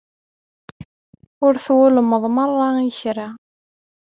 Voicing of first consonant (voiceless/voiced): voiced